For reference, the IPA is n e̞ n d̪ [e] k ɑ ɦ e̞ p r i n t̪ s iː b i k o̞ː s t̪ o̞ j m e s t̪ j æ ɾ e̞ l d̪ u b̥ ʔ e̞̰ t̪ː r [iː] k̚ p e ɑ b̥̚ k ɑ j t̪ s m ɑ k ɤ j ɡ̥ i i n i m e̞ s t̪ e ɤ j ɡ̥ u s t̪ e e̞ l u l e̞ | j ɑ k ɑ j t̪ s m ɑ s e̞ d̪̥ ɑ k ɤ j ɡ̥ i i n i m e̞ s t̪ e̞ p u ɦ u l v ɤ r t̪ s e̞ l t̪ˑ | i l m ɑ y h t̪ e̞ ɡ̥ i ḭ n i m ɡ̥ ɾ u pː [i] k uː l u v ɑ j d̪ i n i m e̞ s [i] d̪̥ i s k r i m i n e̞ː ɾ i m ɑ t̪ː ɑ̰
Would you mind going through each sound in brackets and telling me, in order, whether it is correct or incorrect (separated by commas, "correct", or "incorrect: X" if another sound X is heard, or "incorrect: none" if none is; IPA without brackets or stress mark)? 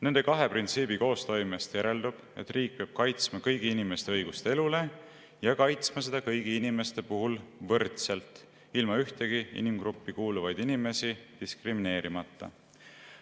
correct, correct, correct, correct